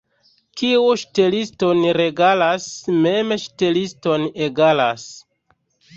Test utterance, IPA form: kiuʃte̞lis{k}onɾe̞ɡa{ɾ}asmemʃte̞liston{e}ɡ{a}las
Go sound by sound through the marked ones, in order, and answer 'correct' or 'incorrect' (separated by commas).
incorrect, incorrect, correct, correct